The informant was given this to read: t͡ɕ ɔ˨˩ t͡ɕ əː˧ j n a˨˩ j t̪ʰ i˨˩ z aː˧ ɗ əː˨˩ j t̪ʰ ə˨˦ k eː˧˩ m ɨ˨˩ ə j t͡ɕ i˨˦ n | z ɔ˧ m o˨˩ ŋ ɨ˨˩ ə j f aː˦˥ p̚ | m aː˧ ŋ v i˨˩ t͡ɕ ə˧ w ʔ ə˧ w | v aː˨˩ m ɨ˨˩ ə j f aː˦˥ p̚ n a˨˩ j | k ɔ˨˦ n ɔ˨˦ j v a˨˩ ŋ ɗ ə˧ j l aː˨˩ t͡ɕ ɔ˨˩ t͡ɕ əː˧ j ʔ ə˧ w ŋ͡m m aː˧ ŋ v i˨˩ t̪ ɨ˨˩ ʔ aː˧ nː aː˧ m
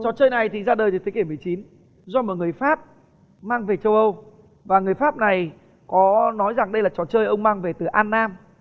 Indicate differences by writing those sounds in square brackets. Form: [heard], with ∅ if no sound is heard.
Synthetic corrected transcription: t͡ɕ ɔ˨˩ t͡ɕ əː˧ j n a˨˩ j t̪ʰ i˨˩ z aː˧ ɗ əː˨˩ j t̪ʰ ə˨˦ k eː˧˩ m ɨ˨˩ ə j t͡ɕ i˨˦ n | z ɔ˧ m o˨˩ ŋ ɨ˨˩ ə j f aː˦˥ p̚ | m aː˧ ŋ v [e˨˩] t͡ɕ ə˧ w ʔ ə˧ w | v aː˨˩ [ŋ] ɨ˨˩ ə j f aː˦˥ p̚ n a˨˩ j | k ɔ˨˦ n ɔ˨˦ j [z] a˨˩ ŋ ɗ ə˧ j l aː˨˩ t͡ɕ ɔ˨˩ t͡ɕ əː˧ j ʔ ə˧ w ŋ͡m m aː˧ ŋ v [e˨˩] t̪ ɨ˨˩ ʔ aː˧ nː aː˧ m